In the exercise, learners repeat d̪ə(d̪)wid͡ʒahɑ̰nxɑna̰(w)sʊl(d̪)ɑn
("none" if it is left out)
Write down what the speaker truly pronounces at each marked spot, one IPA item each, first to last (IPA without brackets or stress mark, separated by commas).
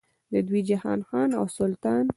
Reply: d̪, w, t̪